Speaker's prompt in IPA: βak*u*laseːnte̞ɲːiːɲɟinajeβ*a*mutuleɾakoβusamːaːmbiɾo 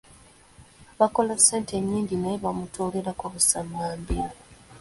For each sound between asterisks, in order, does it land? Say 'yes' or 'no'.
no, yes

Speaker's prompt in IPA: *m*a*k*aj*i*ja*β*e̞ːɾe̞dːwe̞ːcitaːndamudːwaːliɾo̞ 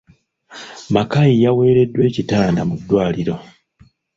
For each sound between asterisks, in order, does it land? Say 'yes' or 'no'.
yes, yes, yes, no

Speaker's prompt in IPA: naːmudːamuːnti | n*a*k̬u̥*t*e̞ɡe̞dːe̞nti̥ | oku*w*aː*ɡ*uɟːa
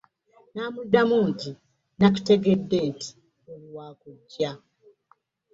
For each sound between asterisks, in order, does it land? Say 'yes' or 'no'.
yes, yes, yes, no

